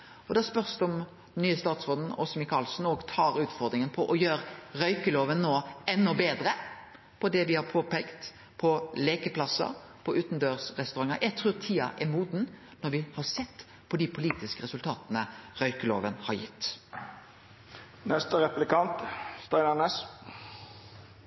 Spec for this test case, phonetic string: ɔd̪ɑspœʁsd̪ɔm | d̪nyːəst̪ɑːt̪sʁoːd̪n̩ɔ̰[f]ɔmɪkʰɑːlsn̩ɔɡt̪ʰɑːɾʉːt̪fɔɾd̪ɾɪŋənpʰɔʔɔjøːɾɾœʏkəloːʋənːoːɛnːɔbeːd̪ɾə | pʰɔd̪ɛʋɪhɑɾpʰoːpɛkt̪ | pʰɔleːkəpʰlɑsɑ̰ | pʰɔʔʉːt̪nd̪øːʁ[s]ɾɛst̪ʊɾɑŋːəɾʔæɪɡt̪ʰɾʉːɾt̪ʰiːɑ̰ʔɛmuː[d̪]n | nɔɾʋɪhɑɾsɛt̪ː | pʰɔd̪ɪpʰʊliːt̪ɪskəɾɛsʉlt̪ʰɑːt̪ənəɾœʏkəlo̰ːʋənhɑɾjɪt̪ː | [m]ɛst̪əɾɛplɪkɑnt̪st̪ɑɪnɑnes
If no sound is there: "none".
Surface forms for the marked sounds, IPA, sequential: s, s, d̪, n

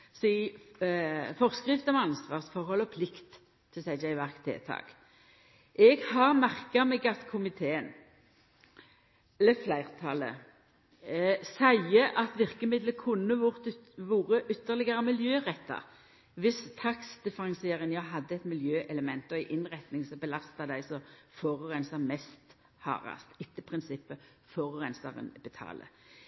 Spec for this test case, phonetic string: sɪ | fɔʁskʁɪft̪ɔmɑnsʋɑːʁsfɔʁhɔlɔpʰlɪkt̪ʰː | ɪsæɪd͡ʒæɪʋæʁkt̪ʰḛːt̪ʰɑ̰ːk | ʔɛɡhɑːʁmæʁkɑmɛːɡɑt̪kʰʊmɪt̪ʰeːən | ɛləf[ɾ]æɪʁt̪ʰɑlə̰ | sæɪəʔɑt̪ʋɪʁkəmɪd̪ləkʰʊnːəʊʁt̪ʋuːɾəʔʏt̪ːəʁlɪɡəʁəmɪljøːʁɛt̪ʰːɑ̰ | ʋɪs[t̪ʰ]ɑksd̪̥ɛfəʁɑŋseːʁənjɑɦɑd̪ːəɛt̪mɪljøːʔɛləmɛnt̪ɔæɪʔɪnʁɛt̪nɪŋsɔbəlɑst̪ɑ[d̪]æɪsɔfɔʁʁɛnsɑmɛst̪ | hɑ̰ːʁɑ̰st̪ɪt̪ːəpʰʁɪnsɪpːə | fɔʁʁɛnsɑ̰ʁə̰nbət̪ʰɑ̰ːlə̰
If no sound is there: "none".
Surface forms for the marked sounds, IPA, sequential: l, t̪ʰ, d̪

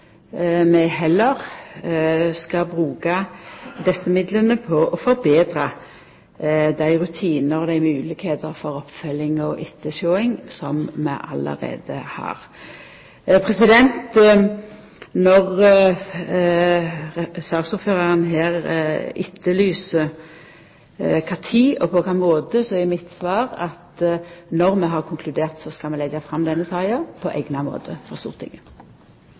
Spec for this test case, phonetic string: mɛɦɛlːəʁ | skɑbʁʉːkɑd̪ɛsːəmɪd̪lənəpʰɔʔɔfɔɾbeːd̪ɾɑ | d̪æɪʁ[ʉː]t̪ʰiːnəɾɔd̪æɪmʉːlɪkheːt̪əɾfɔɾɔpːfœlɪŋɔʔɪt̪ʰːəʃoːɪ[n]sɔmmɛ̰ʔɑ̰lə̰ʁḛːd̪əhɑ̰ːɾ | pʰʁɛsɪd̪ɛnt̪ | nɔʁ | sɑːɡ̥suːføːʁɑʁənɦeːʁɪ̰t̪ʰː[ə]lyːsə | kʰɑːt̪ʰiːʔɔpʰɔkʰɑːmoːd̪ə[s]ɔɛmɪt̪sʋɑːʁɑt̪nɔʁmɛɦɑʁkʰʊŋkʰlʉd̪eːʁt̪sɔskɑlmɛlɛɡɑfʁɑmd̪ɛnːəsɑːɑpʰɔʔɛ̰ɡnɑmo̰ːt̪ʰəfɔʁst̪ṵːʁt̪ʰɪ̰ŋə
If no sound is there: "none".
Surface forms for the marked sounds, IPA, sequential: ʉ, ŋ, ə, s

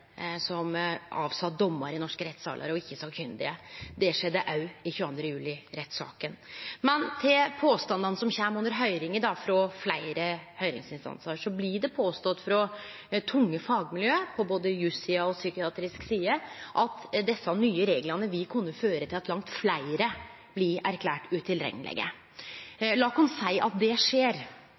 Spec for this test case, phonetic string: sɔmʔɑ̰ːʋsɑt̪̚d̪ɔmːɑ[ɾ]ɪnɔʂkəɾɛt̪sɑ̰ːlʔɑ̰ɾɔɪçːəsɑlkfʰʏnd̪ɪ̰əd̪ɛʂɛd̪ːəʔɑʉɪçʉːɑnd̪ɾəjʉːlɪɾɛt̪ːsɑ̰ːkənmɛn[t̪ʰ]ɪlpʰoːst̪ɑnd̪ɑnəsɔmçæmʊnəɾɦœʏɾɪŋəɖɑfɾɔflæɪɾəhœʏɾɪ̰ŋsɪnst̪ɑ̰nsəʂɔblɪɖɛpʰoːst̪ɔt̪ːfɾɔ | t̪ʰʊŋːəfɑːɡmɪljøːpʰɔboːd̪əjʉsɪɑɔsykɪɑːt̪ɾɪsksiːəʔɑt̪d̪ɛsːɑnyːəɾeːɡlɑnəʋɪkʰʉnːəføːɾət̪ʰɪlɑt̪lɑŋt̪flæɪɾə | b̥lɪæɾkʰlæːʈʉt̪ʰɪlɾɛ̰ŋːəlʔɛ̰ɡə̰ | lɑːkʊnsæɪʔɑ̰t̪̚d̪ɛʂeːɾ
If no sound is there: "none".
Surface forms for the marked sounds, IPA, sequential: ɾ, t̪ʰ

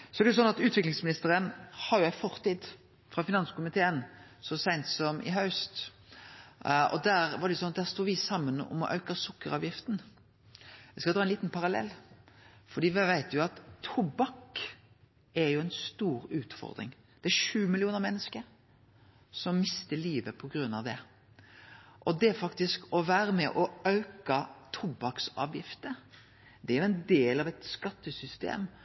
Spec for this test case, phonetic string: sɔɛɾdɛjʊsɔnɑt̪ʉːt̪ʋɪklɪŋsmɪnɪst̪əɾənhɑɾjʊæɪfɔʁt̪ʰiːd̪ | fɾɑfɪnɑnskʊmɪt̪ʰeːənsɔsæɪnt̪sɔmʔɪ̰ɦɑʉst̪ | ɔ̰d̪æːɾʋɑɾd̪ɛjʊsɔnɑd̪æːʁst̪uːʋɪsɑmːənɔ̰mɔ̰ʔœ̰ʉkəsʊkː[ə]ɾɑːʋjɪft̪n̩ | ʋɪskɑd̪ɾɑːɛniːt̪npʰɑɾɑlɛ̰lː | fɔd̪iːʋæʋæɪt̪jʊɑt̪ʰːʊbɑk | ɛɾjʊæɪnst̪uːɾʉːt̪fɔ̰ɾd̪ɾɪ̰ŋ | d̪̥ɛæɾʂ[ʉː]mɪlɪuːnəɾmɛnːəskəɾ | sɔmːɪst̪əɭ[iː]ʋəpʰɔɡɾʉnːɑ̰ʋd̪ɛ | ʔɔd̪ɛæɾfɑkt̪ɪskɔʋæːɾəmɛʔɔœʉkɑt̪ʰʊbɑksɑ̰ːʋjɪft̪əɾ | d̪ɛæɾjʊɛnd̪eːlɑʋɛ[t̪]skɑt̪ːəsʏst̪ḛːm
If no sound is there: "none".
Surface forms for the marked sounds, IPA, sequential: ə, ʉː, iː, t̪

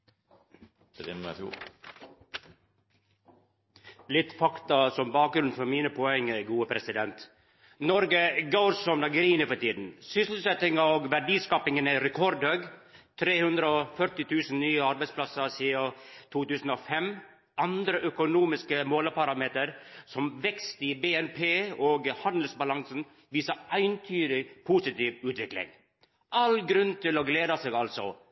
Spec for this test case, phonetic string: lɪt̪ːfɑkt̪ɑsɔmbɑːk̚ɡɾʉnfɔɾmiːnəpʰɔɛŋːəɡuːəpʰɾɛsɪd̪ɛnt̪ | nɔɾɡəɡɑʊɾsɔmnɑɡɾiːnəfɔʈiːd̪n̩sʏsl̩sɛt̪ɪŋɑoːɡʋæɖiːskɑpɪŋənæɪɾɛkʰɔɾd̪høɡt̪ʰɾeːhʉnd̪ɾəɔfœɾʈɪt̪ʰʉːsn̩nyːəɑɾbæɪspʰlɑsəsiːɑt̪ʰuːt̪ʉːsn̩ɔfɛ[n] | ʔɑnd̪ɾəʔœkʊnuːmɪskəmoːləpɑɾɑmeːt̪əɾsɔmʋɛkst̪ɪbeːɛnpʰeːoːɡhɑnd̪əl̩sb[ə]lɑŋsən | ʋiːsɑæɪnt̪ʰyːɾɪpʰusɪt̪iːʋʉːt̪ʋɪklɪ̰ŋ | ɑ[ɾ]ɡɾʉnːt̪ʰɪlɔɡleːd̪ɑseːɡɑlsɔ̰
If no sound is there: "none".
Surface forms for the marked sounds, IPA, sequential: m, ɑ, l

